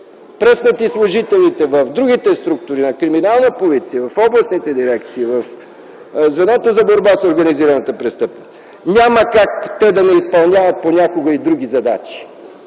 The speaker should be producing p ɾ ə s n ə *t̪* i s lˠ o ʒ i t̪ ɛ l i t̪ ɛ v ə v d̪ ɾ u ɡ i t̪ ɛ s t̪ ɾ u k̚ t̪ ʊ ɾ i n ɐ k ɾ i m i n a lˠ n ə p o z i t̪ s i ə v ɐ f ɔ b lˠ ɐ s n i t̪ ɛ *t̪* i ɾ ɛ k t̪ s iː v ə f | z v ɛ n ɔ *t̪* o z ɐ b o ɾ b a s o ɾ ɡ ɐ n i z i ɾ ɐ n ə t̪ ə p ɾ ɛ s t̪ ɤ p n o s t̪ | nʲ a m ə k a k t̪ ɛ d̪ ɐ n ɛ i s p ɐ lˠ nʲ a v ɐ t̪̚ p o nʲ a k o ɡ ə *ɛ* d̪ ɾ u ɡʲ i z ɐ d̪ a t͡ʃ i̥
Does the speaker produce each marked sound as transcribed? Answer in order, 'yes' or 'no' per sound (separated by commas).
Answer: yes, no, yes, no